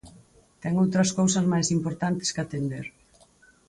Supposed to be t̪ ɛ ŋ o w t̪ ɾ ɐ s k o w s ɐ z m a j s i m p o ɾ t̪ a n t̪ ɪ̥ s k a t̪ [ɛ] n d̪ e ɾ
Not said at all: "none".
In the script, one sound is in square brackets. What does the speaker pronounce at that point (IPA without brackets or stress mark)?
e